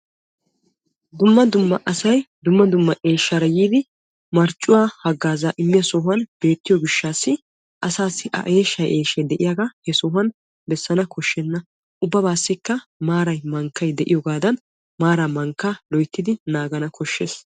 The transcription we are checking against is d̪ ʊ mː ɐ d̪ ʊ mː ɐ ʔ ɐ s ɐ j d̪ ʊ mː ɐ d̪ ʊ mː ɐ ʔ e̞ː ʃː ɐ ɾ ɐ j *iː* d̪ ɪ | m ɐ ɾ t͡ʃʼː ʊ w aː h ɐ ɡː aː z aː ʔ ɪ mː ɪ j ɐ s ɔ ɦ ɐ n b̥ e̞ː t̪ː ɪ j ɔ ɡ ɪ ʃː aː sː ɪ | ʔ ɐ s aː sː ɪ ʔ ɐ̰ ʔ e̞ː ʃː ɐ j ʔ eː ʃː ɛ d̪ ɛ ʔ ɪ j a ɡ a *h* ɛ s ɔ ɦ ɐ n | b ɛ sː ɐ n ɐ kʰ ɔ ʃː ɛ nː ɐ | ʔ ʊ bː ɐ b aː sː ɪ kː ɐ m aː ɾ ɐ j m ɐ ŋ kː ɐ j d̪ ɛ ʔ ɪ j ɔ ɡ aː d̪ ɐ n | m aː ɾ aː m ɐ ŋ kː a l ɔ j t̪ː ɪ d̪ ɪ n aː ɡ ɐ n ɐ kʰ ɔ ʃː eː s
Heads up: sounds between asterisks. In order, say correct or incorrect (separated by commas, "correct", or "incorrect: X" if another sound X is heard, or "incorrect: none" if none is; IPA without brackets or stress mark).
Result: correct, correct